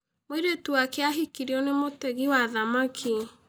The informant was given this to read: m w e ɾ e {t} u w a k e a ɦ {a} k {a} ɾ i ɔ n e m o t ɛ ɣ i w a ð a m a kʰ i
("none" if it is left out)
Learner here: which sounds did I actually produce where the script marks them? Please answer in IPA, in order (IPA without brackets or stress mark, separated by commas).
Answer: t, i, i